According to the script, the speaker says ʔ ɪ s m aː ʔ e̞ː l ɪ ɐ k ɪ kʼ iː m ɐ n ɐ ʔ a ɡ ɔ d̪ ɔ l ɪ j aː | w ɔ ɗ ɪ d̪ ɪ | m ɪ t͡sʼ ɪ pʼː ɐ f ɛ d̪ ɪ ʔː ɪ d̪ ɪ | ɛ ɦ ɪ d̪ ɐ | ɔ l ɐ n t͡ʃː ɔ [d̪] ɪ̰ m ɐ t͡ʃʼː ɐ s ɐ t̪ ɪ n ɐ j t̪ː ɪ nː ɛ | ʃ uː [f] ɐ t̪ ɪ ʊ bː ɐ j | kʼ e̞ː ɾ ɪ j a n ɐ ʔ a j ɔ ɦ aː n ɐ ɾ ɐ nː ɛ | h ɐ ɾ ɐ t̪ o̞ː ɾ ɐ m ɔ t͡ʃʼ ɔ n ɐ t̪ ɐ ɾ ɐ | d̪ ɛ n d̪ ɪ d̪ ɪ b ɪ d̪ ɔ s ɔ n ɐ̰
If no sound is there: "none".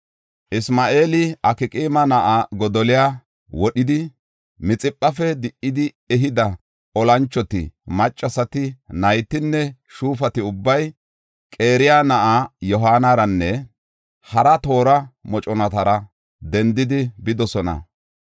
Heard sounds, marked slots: t̪, f

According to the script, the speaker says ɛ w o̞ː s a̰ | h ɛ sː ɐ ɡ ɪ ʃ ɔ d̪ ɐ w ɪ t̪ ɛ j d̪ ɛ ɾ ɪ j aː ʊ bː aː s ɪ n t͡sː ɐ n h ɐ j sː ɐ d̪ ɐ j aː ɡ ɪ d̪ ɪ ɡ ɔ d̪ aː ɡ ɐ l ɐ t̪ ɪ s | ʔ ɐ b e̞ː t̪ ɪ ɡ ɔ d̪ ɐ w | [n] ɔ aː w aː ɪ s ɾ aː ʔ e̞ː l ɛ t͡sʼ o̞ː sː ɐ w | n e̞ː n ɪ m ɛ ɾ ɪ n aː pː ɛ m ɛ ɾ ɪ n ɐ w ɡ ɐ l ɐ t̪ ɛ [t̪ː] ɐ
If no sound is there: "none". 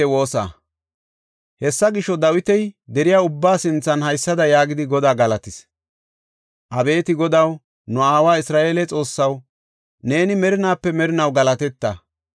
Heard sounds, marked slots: n, t̪ː

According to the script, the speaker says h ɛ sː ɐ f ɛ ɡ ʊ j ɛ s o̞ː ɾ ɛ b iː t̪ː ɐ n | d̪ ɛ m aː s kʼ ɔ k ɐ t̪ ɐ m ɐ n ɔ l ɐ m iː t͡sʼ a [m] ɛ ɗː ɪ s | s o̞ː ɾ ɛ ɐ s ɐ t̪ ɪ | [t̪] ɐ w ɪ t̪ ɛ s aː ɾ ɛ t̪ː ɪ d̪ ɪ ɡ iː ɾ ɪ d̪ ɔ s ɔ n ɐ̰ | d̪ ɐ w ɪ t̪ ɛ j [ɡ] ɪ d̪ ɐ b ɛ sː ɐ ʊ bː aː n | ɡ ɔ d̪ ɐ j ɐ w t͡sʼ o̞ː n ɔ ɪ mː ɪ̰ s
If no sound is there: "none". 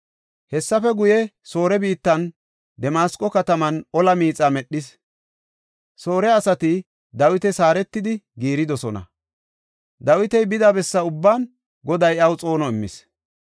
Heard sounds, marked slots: m, d̪, b

